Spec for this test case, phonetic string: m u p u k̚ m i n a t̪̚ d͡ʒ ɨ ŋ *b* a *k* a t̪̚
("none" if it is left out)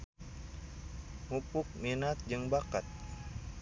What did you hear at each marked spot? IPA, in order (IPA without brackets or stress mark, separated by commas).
b, k